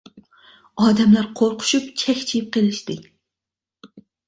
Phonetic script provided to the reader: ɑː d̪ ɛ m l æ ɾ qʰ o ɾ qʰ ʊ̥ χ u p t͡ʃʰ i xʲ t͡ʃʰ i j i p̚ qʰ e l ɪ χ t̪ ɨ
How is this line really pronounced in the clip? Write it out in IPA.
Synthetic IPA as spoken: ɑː d̪ ɛ m l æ ɾ qʰ o ɾ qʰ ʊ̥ ʃ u p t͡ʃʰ ɛ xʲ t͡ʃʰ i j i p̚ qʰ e l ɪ ʃ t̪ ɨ